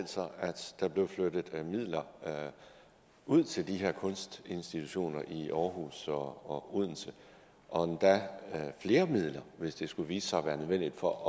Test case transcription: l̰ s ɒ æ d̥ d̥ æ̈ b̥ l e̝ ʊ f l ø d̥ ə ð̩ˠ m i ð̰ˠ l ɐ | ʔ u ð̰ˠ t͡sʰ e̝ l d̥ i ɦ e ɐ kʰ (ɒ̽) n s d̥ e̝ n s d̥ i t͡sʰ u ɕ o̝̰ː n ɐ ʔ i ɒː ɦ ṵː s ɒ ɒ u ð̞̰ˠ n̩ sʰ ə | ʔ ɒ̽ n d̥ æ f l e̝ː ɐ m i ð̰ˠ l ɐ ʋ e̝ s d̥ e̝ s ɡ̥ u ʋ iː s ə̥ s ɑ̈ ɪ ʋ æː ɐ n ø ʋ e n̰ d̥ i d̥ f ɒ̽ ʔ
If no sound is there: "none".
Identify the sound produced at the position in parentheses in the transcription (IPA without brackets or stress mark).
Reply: ɔ̽